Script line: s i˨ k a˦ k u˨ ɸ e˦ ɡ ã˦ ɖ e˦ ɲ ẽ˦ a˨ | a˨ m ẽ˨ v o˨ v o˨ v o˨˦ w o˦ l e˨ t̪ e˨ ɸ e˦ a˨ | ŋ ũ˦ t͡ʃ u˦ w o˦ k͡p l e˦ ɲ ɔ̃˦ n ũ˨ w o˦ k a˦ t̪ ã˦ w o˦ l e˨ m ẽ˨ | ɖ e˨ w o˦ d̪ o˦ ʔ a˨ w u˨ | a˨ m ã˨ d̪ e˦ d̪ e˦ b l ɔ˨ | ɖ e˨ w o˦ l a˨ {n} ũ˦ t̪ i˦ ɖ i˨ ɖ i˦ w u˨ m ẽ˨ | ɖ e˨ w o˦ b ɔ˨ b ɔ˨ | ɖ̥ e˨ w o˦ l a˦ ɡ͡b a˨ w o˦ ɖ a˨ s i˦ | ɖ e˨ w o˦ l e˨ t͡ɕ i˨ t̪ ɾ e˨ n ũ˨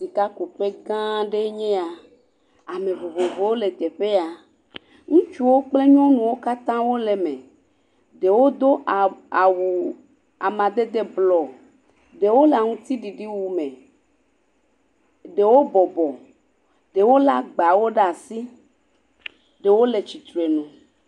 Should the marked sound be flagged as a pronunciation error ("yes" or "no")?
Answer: yes